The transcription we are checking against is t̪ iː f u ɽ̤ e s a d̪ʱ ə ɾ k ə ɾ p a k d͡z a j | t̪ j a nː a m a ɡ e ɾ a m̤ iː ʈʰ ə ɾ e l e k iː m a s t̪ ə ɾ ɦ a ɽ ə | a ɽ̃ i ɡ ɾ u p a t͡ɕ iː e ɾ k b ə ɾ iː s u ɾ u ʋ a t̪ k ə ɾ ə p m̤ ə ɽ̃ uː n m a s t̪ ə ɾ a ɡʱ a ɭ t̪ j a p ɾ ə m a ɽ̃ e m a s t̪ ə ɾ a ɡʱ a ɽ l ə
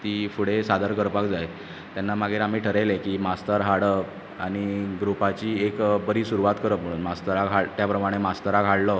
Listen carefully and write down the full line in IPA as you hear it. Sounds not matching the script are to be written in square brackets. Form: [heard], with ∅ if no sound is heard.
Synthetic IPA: t̪ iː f u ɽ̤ e s a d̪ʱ ə ɾ k ə ɾ p a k d͡z a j | t̪ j a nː a m a ɡ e ɾ a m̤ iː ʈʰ ə ɾ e l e k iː m a s t̪ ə ɾ ɦ a ɽ ə | a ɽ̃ i ɡ ɾ u p a t͡ɕ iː e [∅] k b ə ɾ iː s u ɾ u ʋ a t̪ k ə ɾ ə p m̤ ə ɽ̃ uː n m a s t̪ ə ɾ a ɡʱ a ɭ t̪ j a p ɾ ə m a ɽ̃ e m a s t̪ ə ɾ a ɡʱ a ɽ l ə

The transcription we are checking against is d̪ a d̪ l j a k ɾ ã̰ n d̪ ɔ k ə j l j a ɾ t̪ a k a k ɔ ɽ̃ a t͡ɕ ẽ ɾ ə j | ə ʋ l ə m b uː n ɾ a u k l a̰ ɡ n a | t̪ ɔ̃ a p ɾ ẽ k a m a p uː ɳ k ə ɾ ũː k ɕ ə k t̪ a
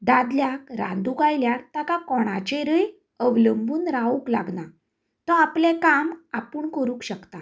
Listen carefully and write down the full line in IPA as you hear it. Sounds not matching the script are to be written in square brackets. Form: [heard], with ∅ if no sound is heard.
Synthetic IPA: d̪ a d̪ l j a k ɾ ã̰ n d̪ [u] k [a] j l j a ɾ t̪ a k a k ɔ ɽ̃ a t͡ɕ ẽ ɾ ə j | ə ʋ l ə m b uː n ɾ a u k l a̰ ɡ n a | t̪ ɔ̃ a p [l] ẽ k a m a p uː ɳ k ə ɾ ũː k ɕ ə k t̪ a

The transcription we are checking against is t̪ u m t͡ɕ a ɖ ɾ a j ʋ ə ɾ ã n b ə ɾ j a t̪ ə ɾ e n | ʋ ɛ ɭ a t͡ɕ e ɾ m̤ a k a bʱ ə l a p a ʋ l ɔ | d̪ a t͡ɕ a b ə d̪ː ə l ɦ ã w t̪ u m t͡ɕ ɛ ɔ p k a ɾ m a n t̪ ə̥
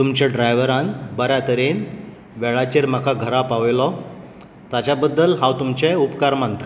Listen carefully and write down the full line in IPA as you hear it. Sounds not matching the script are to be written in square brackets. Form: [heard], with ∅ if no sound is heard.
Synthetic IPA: t̪ u m t͡ɕ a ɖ ɾ a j ʋ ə ɾ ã n b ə ɾ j a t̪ ə ɾ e n | ʋ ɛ ɭ a t͡ɕ e ɾ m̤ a k a [ɡʱ] ə [ɾ] a p a ʋ l ɔ | [t̪] a t͡ɕ a b ə d̪ː ə l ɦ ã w t̪ u m t͡ɕ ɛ [u] p k a ɾ m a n t̪ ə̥

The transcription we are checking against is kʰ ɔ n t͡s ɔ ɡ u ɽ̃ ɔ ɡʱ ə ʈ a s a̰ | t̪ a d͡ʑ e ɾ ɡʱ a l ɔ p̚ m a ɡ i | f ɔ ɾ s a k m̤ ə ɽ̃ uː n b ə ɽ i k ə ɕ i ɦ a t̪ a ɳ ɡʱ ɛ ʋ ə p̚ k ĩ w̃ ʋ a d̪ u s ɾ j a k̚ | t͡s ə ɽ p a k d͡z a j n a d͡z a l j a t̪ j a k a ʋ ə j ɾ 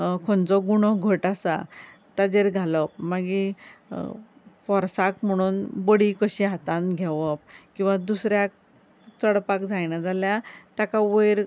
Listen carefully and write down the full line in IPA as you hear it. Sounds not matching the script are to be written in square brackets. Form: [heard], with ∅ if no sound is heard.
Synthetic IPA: kʰ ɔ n t͡s ɔ ɡ u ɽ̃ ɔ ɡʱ ə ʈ a s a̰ | t̪ a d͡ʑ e ɾ ɡʱ a l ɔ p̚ m a ɡ i | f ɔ ɾ s a k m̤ ə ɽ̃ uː n b ə ɽ i k ə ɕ i ɦ a t̪ a [n] ɡʱ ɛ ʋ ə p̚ k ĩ w̃ ʋ a d̪ u s ɾ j a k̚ | t͡s ə ɽ p a k d͡z a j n a d͡z a l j a t̪ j a k a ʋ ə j ɾ

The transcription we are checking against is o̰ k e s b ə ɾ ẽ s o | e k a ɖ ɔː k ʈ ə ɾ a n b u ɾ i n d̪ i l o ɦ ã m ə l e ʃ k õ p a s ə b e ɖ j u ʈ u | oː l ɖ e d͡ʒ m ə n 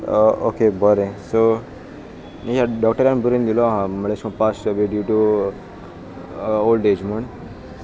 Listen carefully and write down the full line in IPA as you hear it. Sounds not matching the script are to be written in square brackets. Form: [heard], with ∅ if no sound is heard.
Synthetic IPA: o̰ k e [∅] b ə ɾ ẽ s o | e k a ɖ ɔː k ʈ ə ɾ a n b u ɾ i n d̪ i l o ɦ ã m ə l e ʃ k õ p a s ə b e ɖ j u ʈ u | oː l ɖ e d͡ʒ m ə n

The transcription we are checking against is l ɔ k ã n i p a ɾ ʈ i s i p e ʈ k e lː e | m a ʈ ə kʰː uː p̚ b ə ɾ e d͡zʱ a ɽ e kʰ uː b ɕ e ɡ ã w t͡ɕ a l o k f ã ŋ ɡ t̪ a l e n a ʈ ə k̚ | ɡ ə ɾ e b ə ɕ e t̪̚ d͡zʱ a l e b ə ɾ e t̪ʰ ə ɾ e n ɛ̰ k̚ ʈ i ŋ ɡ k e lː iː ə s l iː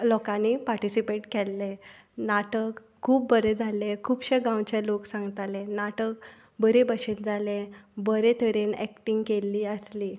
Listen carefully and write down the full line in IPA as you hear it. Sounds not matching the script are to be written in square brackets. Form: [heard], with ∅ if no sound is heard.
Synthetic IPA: l ɔ k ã n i p a ɾ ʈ i s i p e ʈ k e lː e | [n] a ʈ ə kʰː uː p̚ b ə ɾ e d͡zʱ a [l] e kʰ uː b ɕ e ɡ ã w t͡ɕ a l o k [s] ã ŋ ɡ t̪ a l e n a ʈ ə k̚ | [b] ə ɾ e b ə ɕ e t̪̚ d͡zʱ a l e b ə ɾ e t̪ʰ ə ɾ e n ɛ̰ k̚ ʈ i ŋ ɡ k e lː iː ə s l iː

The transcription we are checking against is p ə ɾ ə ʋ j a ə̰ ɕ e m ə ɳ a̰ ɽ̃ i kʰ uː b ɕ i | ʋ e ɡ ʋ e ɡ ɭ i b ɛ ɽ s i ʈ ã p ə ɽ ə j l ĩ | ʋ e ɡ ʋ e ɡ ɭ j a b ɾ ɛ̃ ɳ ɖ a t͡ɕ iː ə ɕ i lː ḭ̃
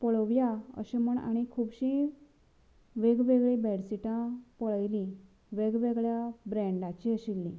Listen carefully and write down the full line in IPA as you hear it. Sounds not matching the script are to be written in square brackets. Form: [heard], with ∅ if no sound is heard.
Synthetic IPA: p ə [ɭ] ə ʋ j a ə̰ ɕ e m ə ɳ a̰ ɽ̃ i kʰ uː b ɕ i | ʋ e ɡ ʋ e ɡ ɭ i b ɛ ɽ s i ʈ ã p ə [ɭ] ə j l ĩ | ʋ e ɡ ʋ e ɡ ɭ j a b ɾ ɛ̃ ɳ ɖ a t͡ɕ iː ə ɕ i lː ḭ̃

